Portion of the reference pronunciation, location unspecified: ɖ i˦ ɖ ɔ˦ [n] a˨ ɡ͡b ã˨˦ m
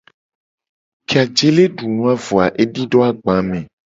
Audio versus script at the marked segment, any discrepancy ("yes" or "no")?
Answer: yes